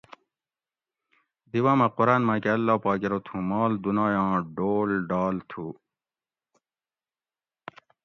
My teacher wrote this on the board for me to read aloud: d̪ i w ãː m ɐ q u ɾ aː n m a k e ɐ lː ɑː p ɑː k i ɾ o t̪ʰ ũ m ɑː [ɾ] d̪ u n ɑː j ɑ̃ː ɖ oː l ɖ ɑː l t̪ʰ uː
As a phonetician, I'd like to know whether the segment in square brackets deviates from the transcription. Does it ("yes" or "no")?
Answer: yes